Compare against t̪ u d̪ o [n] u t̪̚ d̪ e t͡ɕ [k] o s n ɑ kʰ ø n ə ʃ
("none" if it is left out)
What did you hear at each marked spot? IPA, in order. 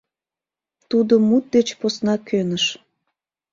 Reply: m, p

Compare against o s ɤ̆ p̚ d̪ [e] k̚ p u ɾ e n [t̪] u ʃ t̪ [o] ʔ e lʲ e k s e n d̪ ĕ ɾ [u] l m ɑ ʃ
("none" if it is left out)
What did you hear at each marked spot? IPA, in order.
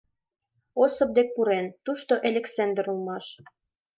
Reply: e, t̪, o, u

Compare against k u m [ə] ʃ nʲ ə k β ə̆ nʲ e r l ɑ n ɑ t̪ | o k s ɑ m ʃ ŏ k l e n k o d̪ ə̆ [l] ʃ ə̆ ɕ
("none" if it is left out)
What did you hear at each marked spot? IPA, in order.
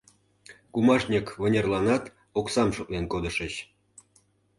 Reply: ɑ, none

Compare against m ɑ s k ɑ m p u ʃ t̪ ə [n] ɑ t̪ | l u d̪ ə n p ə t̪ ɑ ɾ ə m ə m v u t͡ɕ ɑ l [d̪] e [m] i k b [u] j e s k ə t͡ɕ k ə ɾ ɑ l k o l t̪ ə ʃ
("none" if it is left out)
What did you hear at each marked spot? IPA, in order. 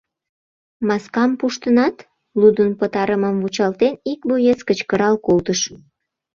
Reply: n, t̪, n, o

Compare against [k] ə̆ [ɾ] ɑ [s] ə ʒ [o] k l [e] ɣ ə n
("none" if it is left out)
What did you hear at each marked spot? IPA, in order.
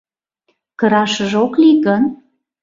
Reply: k, ɾ, ʃ, o, i

